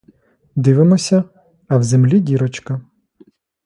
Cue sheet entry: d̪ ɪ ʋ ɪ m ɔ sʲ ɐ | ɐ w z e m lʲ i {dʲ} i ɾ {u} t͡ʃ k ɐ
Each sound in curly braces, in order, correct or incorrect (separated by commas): correct, incorrect